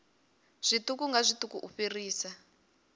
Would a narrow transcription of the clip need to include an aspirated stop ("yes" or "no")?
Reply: no